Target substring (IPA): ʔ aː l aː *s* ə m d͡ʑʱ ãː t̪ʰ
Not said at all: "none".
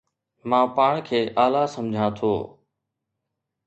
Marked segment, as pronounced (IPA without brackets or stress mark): s